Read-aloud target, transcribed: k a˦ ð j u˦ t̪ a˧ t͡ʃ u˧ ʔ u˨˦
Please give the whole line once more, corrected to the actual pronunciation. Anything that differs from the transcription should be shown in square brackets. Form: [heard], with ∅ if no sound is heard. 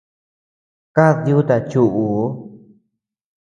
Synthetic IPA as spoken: k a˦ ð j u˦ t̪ a˧ t͡ʃ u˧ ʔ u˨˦